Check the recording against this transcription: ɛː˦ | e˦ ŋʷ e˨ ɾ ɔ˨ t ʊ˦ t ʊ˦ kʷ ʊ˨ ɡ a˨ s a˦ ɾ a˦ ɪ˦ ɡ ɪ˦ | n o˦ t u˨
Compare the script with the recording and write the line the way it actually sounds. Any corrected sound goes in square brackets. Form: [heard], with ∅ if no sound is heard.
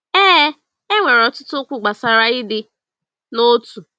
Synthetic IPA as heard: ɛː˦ | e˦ ŋʷ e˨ ɾ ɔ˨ t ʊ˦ t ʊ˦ kʷ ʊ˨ [ɡ͡b] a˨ s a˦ ɾ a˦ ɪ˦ [d] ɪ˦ | n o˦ t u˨